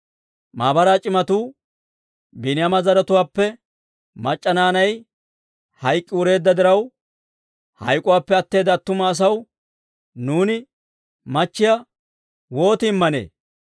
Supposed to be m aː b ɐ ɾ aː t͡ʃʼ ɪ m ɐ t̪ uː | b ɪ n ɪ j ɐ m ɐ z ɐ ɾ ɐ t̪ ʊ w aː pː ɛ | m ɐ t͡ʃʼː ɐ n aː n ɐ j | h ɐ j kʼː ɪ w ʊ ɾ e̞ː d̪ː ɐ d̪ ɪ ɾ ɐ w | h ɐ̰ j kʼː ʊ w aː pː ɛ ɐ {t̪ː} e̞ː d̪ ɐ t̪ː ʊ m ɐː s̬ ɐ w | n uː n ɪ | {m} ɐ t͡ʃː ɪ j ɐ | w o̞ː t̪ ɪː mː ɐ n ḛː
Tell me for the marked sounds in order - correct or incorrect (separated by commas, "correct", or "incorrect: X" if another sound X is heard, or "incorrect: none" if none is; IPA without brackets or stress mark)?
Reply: correct, correct